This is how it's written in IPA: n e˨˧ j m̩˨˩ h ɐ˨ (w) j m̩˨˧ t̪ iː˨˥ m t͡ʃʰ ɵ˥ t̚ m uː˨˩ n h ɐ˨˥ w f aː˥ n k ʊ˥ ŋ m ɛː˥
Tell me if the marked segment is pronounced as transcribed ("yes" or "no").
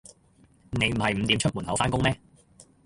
no